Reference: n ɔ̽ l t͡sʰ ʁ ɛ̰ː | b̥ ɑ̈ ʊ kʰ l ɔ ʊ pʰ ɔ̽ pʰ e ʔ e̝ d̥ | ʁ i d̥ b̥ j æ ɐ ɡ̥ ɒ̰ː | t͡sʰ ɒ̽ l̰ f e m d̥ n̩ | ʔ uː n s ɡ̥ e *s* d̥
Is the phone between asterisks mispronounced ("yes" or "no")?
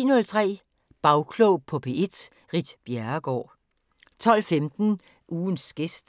no